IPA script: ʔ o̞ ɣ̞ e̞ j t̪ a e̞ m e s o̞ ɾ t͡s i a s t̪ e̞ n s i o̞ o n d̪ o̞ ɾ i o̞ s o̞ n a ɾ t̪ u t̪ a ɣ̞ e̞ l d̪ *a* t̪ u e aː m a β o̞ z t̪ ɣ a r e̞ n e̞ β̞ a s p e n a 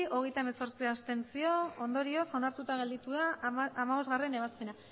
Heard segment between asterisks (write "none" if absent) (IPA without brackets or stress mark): i